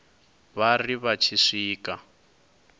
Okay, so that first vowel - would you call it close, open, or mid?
open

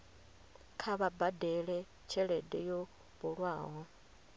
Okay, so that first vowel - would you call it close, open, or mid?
open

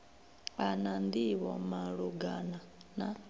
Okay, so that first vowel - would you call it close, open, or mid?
open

